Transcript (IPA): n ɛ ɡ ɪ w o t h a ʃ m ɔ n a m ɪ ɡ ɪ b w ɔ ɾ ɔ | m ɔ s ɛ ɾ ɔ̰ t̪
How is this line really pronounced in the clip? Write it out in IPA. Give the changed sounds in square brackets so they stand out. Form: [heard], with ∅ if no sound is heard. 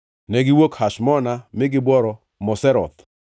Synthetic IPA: n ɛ ɡ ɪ w o [k] h a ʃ m ɔ n a m ɪ ɡ ɪ b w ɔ ɾ ɔ | m ɔ s ɛ ɾ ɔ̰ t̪